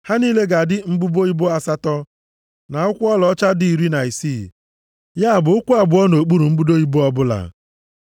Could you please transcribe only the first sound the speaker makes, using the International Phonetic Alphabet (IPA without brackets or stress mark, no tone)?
h